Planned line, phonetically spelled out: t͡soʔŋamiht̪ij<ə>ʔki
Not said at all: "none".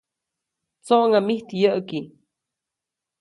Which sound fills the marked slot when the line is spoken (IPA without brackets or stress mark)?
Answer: ə